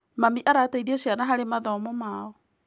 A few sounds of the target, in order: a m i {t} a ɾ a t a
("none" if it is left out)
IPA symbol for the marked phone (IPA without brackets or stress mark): ʔ